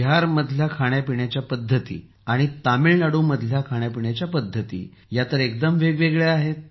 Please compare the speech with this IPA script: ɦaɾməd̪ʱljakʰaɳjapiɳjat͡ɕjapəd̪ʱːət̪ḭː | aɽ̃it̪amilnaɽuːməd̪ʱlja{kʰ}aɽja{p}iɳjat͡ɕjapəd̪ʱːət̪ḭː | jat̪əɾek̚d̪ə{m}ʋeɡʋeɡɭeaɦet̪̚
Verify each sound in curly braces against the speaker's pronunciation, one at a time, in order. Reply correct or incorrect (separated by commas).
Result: correct, correct, correct